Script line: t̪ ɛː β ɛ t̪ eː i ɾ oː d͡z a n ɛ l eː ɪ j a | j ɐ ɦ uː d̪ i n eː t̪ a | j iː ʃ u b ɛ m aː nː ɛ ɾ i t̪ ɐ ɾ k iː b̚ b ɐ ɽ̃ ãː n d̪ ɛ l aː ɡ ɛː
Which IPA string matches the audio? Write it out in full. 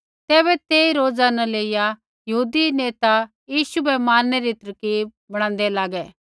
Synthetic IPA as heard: t̪ ɛː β ɛ t̪ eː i ɾ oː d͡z a n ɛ l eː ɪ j a | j ɐ ɦ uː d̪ i n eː t̪ a | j iː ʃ u b ɛ m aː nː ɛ ɾ i t̪ ɐ ɾ k iː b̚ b ɐ ɽ̃ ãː n d̪ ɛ l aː ɡ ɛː